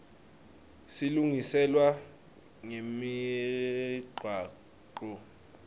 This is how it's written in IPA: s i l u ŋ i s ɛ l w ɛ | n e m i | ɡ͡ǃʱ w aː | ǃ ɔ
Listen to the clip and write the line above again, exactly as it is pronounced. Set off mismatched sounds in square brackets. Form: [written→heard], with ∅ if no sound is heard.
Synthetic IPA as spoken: s i l u ŋ i s ɛ l w [ɛ→a] | [n→ŋ] e m i | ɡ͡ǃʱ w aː | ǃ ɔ